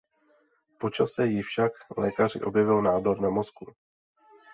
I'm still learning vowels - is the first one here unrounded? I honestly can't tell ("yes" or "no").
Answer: no